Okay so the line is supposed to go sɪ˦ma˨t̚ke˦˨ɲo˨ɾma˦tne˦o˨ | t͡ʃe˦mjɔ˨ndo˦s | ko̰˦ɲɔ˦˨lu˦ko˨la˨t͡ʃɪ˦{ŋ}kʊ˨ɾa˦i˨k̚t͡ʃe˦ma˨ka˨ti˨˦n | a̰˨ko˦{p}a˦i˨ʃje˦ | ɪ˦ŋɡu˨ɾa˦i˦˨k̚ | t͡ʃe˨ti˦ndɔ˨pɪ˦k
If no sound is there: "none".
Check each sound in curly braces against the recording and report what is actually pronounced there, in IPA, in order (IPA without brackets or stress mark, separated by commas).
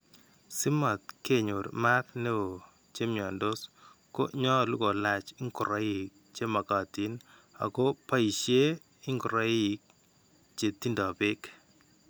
ŋ, p